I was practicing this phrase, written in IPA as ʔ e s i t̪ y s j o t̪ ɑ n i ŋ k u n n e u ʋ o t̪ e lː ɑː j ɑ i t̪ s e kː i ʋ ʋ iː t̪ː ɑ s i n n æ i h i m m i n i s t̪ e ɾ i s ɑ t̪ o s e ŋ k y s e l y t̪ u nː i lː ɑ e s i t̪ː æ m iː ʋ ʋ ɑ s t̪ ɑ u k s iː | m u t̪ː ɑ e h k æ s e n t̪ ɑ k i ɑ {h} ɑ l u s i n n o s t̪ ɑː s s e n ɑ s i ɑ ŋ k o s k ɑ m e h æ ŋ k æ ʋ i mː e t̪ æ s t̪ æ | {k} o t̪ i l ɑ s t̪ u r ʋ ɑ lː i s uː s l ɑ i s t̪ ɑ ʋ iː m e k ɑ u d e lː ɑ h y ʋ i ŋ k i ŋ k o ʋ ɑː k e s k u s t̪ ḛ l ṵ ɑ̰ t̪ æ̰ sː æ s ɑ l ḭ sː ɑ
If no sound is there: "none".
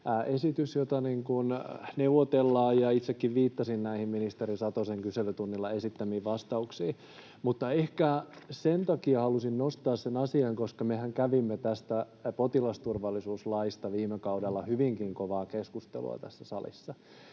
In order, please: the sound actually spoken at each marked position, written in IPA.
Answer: h, p

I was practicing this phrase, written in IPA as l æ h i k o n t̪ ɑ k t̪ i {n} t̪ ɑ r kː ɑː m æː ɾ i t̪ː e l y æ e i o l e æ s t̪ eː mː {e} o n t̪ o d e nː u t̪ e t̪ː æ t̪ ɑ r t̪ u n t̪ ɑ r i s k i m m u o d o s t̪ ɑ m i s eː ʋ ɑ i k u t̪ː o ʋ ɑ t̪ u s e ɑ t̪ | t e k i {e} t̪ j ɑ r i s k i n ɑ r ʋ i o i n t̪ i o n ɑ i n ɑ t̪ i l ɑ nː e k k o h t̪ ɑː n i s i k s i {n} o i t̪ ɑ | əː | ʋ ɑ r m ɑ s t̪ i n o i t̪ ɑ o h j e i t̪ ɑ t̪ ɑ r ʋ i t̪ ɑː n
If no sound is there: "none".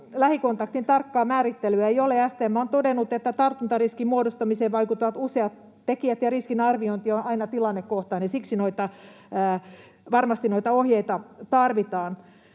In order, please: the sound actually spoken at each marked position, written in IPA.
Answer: n, æ, æ, n

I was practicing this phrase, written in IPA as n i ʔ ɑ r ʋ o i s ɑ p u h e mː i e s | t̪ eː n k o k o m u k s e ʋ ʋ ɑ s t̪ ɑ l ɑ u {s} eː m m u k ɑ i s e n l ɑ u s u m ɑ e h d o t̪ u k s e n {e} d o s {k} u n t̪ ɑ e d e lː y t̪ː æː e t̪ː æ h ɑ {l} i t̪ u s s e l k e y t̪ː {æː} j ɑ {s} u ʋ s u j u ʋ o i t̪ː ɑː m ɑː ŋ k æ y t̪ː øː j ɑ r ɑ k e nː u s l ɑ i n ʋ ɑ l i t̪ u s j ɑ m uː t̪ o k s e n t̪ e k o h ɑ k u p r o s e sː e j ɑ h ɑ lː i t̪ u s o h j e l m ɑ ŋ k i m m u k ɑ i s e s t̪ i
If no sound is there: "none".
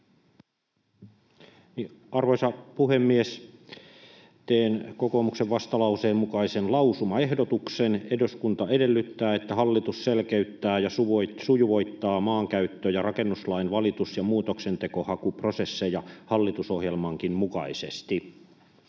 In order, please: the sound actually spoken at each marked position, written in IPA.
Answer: s, e, k, lː, æː, s

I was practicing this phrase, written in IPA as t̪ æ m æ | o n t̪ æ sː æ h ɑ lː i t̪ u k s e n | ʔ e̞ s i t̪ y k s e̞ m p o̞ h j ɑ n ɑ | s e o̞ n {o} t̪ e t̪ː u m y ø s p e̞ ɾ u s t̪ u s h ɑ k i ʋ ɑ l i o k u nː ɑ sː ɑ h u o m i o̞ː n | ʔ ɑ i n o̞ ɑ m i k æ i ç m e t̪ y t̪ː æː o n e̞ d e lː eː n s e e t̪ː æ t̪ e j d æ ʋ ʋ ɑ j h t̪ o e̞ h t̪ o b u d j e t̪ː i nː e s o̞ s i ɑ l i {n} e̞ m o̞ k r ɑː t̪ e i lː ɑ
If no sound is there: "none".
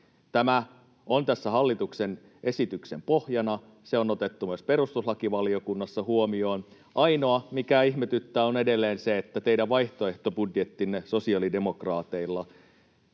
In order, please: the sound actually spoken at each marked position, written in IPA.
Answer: o, d

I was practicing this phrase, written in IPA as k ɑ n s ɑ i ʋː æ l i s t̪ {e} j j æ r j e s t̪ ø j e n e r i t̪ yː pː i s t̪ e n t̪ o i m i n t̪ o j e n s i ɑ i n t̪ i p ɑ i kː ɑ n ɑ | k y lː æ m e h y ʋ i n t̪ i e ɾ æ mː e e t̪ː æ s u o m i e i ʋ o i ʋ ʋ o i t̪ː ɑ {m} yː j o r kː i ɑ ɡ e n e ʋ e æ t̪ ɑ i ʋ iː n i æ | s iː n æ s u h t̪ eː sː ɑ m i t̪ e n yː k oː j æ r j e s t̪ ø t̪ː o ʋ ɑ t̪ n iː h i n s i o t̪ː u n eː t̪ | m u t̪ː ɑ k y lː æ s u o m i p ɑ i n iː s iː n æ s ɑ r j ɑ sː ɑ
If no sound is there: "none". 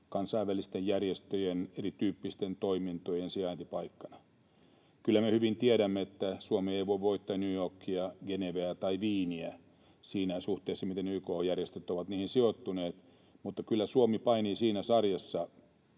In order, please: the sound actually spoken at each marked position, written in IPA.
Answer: e, n

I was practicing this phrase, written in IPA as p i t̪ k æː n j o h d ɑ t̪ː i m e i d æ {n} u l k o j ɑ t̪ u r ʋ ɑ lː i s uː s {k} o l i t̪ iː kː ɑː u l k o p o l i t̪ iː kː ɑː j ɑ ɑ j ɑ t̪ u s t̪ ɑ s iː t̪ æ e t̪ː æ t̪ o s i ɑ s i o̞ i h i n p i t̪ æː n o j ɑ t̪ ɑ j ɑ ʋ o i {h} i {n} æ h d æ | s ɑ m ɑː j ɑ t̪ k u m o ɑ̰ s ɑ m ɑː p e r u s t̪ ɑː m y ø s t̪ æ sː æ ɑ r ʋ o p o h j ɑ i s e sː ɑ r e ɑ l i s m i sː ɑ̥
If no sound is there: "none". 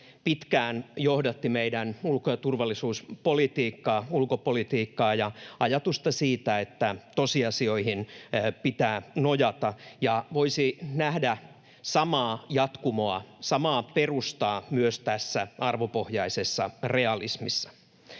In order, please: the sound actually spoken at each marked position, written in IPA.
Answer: n, p, s, n

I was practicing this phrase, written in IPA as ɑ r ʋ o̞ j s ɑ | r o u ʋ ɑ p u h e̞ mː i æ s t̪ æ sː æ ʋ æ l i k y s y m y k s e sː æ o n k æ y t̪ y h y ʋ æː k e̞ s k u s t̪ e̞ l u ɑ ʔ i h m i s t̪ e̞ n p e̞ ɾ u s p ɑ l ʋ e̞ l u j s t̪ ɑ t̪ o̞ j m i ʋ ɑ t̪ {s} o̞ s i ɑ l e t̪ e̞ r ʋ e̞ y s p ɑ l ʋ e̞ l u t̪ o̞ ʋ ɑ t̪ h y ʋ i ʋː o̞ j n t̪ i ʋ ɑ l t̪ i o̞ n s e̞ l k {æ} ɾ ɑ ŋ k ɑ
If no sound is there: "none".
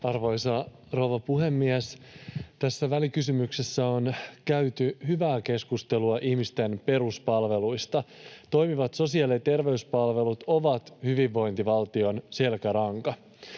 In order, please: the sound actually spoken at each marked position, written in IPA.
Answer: s, æ

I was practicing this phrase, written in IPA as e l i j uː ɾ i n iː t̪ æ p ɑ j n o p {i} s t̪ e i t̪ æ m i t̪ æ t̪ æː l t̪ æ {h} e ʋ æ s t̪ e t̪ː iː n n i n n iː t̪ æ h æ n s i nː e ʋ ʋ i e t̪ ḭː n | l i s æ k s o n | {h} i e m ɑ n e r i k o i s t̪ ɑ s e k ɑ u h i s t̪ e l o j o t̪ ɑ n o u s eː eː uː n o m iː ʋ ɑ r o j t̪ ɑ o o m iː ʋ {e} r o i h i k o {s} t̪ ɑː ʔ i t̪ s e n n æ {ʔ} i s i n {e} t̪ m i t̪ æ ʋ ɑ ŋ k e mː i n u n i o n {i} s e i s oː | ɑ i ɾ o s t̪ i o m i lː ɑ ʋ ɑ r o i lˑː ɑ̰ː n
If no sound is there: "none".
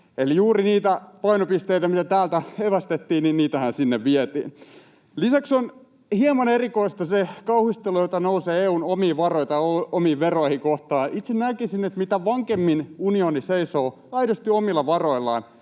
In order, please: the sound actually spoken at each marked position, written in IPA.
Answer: i, h, h, e, h, k, e, i

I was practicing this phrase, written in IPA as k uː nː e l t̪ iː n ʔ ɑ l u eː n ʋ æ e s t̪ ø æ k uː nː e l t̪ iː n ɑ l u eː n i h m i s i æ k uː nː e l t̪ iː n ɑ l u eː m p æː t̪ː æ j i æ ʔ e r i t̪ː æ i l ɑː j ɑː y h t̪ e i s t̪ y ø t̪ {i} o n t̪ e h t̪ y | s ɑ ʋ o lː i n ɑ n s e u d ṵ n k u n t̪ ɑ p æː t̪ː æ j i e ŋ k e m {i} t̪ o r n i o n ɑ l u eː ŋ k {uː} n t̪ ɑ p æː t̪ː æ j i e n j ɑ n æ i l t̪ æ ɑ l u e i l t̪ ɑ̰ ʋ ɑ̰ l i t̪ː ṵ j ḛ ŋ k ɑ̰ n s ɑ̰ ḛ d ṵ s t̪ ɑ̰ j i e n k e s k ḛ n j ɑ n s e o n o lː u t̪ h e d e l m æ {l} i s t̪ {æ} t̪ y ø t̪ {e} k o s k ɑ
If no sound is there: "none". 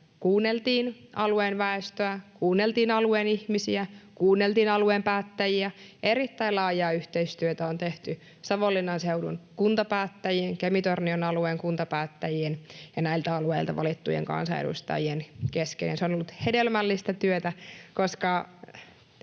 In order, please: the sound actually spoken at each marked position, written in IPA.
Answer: æ, i, u, lː, æ, æ

